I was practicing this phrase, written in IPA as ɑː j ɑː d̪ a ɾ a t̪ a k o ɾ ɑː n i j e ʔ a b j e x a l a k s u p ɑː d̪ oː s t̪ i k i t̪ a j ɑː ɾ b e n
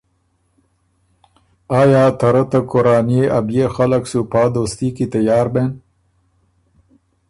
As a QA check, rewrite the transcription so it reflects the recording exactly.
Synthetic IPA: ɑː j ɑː t̪ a ɾ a t̪ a k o ɾ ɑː n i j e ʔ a b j e x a l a k s u p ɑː d̪ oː s t̪ i k i t̪ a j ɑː ɾ b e n

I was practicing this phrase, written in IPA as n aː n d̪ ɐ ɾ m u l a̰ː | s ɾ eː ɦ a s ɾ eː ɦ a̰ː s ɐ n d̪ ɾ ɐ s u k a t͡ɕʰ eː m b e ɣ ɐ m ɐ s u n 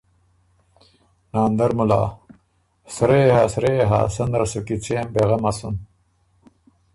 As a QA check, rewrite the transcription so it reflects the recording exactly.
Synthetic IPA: n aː n d̪ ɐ ɾ m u l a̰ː | s ɾ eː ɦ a s ɾ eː ɦ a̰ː s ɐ n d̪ ɾ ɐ s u k i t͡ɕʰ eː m b e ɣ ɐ m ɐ s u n

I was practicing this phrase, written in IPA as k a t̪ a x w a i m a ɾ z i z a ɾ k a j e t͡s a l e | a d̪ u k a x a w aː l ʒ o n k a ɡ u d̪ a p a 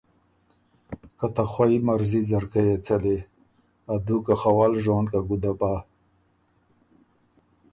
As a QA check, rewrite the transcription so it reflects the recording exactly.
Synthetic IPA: k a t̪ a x w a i m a ɾ z i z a ɾ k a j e t͡s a l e | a d̪ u k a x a w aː l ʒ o n k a ɡ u d̪ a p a

